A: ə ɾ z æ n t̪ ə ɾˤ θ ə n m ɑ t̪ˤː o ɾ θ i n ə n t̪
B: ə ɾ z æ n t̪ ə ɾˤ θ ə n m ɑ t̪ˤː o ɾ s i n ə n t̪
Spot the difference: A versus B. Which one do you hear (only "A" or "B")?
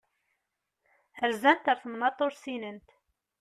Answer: B